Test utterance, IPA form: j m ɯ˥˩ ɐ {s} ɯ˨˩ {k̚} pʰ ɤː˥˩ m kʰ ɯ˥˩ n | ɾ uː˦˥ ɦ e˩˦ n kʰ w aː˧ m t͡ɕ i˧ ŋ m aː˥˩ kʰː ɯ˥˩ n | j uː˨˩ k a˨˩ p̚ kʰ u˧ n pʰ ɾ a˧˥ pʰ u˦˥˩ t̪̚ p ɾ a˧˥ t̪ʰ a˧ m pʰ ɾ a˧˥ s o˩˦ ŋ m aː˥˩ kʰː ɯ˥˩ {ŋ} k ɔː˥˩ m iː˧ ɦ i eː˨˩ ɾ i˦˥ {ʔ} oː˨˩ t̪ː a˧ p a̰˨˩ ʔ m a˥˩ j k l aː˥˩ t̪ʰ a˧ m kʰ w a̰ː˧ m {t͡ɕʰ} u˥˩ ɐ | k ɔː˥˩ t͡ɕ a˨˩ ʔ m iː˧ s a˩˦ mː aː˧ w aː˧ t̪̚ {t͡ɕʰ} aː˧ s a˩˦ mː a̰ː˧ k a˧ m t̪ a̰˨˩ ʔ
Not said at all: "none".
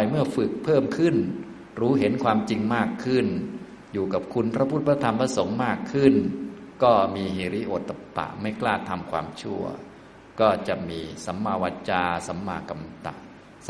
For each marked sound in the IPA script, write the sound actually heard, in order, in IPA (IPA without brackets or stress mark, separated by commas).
f, k̚, n, ʔ, t͡ɕʰ, t͡ɕ